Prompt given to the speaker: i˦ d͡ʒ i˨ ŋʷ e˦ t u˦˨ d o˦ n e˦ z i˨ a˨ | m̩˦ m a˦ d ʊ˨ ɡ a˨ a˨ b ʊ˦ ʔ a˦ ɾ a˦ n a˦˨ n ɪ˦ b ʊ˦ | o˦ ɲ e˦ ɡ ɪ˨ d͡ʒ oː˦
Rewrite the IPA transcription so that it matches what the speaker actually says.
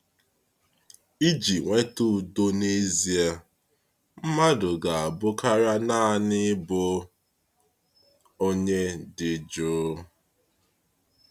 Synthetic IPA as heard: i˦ d͡ʒ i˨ ŋʷ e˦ t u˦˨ d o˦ n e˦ z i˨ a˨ | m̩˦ m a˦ d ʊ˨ ɡ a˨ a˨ b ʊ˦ k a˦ ɾ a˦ n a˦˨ n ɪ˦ b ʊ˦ | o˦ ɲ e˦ d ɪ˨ d͡ʒ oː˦

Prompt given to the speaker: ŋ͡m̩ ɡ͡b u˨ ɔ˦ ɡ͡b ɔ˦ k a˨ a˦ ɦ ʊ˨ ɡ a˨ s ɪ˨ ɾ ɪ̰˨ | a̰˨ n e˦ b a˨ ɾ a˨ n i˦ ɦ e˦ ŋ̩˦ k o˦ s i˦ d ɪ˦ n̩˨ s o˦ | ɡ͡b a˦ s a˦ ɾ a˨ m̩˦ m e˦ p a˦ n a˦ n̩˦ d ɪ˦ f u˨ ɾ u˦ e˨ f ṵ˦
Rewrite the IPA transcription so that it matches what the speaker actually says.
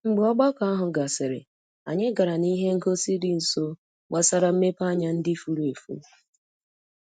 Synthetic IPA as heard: ŋ͡m̩ ɡ͡b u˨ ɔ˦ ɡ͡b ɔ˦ k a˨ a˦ ɦ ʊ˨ ɡ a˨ s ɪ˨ ɾ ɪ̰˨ | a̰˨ ɲ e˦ ɡ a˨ ɾ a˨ n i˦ ɦ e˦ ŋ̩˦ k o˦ s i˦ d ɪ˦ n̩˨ s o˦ | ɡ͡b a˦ s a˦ ɾ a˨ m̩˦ m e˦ p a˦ ɲ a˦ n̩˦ d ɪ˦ f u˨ ɾ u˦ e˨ f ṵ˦

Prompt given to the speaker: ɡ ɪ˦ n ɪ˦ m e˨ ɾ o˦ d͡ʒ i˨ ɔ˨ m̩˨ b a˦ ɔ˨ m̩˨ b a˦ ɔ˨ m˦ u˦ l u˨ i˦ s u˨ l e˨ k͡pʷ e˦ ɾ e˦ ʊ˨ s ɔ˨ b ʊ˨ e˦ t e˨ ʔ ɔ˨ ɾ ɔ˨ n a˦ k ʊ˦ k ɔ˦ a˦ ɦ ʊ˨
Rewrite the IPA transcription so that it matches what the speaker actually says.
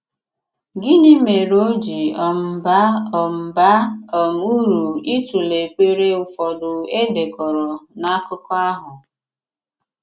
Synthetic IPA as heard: ɡ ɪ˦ n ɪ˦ m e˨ ɾ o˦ d͡ʒ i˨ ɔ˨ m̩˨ b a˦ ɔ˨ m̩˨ b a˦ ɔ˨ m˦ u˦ ɾ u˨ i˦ t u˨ l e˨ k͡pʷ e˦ ɾ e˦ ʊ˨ f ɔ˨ d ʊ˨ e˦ d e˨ k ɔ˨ ɾ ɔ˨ n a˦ k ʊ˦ k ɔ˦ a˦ ɦ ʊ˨

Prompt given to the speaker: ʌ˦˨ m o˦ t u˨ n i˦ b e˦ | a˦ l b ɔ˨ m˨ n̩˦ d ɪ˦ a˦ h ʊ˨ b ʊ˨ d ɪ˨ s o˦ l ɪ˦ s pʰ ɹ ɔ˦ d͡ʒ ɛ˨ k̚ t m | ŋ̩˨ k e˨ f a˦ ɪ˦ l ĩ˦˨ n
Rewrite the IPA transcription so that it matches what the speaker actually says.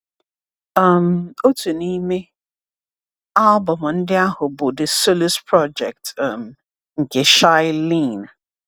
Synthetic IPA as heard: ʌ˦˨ m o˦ t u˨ n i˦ m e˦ | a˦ l b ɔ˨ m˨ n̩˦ d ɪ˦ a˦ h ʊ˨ b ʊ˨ d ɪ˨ s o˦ l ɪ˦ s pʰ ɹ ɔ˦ d͡ʒ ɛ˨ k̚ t m | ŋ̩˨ k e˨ ʃ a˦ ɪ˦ l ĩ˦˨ n

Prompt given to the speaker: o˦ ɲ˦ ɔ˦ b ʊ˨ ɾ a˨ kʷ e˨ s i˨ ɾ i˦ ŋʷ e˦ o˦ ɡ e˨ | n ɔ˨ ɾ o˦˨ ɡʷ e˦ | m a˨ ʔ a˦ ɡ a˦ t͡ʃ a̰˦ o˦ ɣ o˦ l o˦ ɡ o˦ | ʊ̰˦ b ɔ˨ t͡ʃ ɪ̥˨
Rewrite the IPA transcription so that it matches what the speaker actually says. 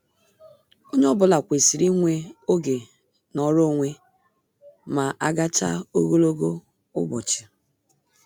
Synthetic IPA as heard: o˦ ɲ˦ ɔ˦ b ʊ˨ l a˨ kʷ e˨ s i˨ ɾ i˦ ŋʷ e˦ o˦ ɡ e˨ | n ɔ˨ ɾ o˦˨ ŋʷ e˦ | m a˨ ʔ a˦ ɡ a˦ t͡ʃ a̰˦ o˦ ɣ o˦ l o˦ ɡ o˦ | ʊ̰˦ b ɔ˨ t͡ʃ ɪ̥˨

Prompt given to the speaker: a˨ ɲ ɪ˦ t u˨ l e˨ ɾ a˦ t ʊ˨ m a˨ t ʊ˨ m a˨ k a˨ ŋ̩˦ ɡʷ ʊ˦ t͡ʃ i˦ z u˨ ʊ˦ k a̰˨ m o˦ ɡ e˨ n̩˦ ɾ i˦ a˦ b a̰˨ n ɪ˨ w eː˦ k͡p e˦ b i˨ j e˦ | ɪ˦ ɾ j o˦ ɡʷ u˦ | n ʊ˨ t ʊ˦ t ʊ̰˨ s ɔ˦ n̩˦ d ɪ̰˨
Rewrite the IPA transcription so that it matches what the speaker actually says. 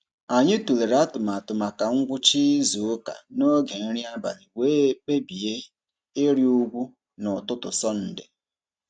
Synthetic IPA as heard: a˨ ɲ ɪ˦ t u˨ l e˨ ɾ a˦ t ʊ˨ m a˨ t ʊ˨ m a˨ k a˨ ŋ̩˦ ɡʷ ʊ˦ t͡ʃ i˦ z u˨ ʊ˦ k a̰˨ n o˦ ɡ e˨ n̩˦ ɾ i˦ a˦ b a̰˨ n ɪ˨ w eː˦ k͡p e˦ b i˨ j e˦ | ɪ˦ ɾ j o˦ ɡʷ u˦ | n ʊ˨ t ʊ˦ t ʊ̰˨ s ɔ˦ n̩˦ d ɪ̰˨

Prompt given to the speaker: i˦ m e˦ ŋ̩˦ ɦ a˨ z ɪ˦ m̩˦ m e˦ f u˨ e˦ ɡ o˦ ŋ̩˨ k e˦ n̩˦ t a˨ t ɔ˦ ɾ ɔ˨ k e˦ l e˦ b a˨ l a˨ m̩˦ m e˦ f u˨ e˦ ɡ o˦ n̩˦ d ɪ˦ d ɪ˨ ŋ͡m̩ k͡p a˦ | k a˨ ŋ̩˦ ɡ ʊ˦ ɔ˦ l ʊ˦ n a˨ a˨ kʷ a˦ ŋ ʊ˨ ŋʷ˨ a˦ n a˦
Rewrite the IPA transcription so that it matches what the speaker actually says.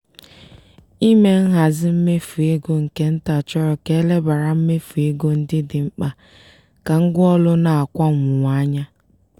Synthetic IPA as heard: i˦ m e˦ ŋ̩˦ ɦ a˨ z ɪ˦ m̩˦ m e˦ f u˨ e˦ ɡ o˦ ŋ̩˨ k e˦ n̩˦ t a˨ t͡ʃ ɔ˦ ɾ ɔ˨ k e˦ l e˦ b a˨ ɾ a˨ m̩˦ m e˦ f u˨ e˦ ɡ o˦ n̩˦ d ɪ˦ d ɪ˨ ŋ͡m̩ k͡p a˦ | k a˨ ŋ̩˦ ɡ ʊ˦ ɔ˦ l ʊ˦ n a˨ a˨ kʷ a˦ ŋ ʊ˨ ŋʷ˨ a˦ ɲ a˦

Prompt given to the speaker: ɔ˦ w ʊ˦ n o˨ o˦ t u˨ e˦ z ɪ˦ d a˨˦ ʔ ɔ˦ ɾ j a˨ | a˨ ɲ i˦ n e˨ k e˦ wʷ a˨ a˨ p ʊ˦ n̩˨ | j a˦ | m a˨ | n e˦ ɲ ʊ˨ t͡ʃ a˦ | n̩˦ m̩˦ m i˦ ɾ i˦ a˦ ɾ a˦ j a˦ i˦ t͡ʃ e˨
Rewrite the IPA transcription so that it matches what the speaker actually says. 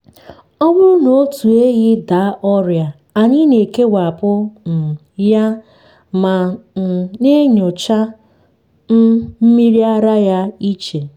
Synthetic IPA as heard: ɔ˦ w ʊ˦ n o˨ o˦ t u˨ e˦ ɣ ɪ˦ d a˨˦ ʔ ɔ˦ ɾ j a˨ | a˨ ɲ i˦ n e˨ k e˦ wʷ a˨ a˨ p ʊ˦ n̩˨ | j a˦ | m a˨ | n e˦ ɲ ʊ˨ t͡ʃ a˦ | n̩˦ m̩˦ m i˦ ɾ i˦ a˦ ɾ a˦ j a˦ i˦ t͡ʃ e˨

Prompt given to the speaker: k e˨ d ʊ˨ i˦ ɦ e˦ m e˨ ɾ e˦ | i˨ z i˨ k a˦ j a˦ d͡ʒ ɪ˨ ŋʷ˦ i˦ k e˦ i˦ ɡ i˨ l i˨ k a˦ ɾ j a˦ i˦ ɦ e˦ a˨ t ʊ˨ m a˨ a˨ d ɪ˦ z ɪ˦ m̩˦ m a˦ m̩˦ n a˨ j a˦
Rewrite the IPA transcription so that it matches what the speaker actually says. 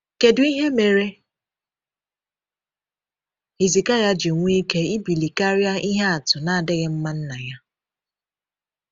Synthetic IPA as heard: k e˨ d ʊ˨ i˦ ɦ e˦ m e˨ ɾ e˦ | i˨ z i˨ k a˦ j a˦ d͡ʒ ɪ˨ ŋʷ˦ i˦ k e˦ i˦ b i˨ l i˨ k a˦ ɾ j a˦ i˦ ɦ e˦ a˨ t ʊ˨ n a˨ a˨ d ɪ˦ ɣ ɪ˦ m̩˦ m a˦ n̩˦ n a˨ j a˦

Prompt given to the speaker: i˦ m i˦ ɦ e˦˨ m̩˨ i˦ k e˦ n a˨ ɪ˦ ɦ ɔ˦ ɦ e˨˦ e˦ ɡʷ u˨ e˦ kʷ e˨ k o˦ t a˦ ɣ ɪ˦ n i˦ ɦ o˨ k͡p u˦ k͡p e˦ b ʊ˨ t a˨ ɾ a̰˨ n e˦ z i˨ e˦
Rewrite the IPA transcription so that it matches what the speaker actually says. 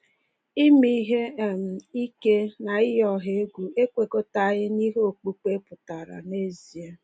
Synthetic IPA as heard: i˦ m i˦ ɦ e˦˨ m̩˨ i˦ k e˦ n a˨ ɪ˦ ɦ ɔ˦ ɦ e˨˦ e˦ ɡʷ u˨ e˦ kʷ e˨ k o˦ t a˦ ɣ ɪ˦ n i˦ ɦ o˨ k͡p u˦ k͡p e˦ p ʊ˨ t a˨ ɾ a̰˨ n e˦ z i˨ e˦

